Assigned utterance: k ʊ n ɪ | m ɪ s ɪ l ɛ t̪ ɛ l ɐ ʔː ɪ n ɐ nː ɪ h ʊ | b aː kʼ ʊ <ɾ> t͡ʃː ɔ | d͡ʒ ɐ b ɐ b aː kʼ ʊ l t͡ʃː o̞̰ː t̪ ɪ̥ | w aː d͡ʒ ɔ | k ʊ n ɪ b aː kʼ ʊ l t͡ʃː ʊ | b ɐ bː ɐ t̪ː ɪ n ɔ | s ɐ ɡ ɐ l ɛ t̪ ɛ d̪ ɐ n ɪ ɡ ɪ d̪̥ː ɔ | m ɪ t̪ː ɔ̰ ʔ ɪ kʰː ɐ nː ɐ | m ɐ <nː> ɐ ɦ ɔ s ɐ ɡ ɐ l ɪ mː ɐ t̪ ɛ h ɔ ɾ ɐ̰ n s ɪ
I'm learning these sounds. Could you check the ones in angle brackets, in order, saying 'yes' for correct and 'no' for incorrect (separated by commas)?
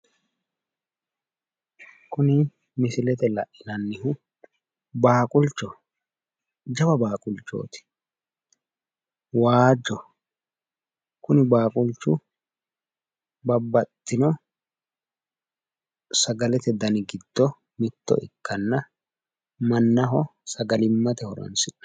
no, yes